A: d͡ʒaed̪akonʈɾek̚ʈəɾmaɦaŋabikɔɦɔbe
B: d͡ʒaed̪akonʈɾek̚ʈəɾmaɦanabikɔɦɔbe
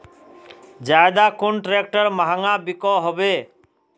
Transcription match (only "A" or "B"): A